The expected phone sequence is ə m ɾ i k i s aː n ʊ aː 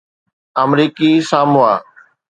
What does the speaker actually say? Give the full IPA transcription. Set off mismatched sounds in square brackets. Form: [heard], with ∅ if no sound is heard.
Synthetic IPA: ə m ɾ [iː] k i s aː [m] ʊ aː